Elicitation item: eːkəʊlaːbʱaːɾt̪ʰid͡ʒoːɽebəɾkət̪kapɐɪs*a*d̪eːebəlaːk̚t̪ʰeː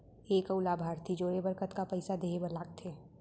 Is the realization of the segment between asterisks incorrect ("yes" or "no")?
no